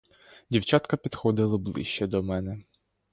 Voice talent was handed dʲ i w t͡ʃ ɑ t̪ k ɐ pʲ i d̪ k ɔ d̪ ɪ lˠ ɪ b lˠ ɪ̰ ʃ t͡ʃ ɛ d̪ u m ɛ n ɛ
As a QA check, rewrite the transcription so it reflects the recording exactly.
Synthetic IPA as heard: dʲ i w t͡ʃ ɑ t̪ k ɐ pʲ i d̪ x ɔ d̪ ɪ lˠ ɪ b lˠ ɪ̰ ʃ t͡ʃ ɛ d̪ ɔ m ɛ n ɛ